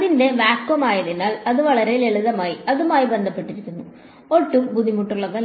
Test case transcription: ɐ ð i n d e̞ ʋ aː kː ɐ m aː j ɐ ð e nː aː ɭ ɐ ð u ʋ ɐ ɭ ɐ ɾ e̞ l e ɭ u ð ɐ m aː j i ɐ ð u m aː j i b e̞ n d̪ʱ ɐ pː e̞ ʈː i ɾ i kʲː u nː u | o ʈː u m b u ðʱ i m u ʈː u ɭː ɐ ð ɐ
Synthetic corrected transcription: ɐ ð i n d e̞ ʋ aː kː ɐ m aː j ɐ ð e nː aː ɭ ɐ ð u ʋ ɐ ɭ ɐ ɾ e̞ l e ɭ u ð ɐ m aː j i ɐ ð u m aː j i b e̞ n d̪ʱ ɐ pː e̞ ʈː i ɾ i kʲː u nː u | o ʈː u m b u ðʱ i m u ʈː u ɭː ɐ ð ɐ